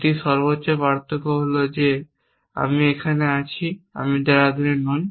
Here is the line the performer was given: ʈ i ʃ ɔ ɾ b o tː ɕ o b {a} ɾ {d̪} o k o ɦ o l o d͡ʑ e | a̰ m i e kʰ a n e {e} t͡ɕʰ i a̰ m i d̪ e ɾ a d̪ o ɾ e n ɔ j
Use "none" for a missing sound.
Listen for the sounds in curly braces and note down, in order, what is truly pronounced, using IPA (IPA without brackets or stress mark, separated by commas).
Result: a, t̪, a